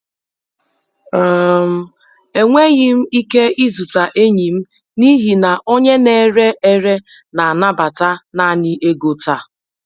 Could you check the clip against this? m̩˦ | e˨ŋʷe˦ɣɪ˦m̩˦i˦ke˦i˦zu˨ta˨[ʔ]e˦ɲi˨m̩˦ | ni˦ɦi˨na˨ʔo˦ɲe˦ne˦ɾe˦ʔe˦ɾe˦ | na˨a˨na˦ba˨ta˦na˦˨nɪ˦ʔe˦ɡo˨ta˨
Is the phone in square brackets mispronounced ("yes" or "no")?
no